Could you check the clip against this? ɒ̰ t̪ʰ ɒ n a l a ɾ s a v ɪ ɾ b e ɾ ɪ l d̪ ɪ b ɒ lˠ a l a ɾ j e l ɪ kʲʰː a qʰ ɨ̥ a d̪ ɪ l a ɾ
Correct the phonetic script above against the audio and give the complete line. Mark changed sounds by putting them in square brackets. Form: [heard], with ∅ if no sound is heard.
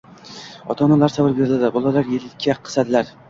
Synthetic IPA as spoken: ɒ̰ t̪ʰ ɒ n a l a ɾ s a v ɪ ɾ b e ɾ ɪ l d̪ ɪ b ɒ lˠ a l a ɾ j e l ɪ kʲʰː a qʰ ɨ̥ a d̪ ɪ l a ɾ